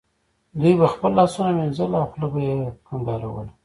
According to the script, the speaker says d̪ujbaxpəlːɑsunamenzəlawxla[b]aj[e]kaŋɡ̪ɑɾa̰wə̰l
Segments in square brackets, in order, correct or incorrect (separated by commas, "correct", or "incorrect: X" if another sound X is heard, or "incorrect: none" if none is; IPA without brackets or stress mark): correct, correct